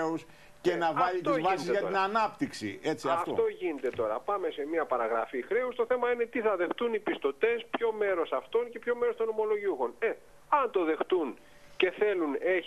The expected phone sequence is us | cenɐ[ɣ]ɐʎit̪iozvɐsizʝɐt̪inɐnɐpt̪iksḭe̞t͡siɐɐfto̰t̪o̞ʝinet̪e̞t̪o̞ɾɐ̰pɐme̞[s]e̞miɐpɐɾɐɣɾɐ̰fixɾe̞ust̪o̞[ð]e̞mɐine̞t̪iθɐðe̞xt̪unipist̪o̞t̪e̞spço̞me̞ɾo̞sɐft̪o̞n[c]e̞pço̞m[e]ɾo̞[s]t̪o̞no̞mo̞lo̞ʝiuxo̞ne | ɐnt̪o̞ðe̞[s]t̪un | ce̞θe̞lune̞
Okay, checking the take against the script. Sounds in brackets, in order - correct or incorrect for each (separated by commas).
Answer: incorrect, correct, incorrect, correct, correct, correct, incorrect